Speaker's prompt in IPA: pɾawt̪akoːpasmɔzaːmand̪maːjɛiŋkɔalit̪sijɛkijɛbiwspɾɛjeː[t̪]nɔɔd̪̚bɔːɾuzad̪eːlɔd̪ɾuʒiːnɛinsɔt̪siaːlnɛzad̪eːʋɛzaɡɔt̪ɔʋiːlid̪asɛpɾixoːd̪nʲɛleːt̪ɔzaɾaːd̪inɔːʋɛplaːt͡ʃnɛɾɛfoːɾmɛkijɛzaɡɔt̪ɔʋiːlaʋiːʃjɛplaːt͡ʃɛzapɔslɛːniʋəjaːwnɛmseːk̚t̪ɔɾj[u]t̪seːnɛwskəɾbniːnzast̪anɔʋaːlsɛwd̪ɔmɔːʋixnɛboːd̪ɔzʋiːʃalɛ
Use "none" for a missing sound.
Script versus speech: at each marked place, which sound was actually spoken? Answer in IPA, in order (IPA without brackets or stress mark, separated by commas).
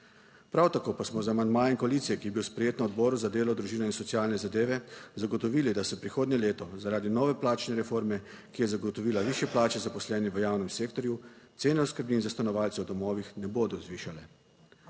t̪, u